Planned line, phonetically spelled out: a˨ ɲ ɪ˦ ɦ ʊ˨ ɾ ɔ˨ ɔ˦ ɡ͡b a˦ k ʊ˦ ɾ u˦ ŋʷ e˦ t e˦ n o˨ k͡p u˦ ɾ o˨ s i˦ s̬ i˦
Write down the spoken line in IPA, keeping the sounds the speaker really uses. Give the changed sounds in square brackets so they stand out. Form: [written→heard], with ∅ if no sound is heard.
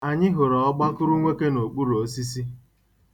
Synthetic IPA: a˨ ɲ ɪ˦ ɦ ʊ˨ ɾ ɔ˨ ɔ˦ ɡ͡b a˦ k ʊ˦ ɾ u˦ ŋʷ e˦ [t→k] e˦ n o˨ k͡p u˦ ɾ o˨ s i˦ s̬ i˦